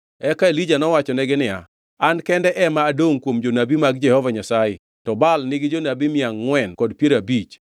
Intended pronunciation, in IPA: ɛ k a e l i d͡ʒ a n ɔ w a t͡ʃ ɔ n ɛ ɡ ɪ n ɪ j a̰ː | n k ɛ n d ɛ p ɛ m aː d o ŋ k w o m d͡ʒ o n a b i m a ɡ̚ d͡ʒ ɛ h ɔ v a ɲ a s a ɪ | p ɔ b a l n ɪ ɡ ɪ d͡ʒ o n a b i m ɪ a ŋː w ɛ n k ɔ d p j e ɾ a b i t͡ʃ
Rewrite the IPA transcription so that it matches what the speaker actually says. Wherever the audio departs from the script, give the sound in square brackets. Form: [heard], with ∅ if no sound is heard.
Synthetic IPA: ɛ k a e l i d͡ʒ a n ɔ w a t͡ʃ ɔ n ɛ ɡ ɪ n ɪ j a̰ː | n k ɛ n d ɛ [ʔ] ɛ m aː d o ŋ k w o m d͡ʒ o n a b i m a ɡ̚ d͡ʒ ɛ h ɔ v a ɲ a s a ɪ | [t] ɔ b a l n ɪ ɡ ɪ d͡ʒ o n a b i m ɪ a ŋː w ɛ n k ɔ d p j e ɾ a b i t͡ʃ